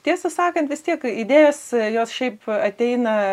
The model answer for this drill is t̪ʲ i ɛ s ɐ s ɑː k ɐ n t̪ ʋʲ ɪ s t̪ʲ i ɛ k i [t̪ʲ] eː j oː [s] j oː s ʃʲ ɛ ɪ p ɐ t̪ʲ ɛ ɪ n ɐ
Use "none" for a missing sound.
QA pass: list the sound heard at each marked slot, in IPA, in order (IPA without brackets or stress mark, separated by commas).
d̪ʲ, s